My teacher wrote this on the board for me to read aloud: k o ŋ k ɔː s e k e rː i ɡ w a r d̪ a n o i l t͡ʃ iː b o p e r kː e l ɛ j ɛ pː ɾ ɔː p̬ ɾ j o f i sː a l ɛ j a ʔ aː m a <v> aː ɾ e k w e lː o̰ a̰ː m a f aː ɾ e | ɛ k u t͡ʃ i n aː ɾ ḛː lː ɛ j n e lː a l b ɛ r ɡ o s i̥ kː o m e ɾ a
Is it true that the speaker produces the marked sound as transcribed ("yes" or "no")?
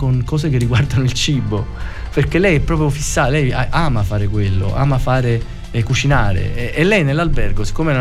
no